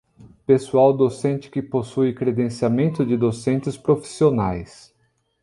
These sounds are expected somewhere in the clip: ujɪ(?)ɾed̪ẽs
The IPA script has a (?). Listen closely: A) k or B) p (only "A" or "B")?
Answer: A